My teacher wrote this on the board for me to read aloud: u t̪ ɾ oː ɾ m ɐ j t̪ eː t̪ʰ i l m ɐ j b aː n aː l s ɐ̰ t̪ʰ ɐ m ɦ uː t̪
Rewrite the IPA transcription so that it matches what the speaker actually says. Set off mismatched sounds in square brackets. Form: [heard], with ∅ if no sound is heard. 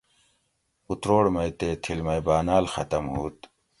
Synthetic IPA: u t̪ ɾ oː [ɽ] m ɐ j t̪ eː t̪ʰ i l m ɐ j b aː n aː l [x] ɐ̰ [t̪] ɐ m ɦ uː t̪